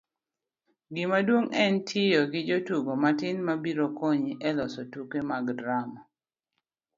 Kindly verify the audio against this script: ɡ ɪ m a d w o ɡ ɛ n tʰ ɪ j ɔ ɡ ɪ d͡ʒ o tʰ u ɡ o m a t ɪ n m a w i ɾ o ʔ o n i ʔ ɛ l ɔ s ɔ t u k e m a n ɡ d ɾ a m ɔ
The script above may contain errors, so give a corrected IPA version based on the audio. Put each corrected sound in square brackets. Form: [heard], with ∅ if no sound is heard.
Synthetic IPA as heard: ɡ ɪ m a d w o [ŋ] ɛ n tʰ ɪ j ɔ ɡ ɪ d͡ʒ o [t] u ɡ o m a t ɪ n m a [b] i ɾ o [k] o [ɲ] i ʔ ɛ l ɔ s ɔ t u k e m a [∅] ɡ d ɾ a m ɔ